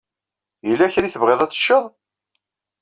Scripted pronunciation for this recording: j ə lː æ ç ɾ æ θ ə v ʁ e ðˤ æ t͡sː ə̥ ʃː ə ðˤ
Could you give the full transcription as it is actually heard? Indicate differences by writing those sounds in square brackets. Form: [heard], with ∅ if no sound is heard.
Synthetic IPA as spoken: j ə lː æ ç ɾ [i] θ ə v ʁ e ðˤ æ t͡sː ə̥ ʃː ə ðˤ